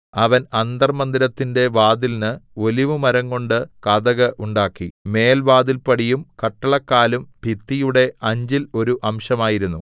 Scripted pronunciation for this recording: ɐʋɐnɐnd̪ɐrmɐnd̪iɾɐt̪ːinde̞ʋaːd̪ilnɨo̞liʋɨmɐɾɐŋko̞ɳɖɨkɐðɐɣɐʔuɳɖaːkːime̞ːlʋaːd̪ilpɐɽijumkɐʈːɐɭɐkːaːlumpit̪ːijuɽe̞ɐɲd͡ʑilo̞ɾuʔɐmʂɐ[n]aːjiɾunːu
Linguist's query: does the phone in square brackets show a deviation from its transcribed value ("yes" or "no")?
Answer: yes